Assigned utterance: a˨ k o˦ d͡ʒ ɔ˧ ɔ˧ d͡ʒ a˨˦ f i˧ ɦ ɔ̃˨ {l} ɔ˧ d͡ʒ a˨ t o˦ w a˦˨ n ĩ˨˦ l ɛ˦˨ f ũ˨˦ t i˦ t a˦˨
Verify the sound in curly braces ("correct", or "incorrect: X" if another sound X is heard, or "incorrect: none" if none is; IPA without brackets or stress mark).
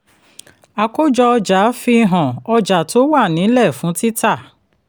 incorrect: none